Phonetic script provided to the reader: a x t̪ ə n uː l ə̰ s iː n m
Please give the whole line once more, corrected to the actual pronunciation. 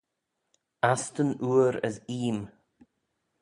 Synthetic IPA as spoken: a s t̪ ə n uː ɾ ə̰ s iː m